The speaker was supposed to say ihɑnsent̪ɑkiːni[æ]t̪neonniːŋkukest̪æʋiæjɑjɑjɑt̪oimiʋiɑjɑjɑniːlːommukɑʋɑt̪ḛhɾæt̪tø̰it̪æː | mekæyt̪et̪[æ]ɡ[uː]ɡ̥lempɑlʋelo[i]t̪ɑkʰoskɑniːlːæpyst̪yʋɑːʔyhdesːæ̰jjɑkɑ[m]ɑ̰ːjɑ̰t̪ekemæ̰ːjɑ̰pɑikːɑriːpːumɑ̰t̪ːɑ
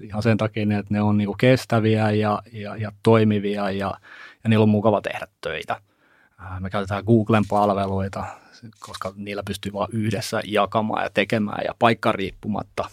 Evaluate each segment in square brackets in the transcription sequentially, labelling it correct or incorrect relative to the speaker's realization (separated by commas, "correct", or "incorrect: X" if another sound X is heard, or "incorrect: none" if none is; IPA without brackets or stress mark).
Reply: incorrect: e, incorrect: æː, correct, correct, correct